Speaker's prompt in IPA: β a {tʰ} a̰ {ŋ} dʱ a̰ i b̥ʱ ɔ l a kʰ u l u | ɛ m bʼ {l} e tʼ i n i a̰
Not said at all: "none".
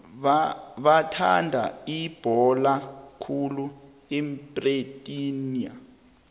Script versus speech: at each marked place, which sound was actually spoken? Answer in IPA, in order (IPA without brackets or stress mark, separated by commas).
tʰ, n, r